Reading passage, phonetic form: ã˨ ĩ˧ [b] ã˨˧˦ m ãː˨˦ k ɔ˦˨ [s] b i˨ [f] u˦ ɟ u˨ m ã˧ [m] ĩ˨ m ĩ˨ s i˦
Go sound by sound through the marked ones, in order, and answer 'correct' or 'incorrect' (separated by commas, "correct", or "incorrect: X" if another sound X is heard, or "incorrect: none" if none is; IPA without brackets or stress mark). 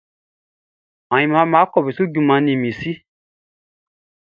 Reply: incorrect: m, incorrect: none, incorrect: s, incorrect: n